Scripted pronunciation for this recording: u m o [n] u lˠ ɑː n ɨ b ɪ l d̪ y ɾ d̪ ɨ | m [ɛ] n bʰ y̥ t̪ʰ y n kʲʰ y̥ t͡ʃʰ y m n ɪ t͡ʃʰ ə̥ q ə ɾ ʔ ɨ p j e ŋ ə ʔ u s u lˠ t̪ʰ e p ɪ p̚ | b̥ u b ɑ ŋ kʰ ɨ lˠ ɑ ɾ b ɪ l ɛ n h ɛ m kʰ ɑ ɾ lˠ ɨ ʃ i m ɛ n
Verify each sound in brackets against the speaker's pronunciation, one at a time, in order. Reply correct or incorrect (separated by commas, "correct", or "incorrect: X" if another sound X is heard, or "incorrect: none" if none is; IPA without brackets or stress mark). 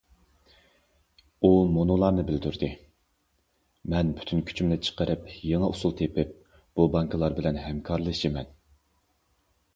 correct, correct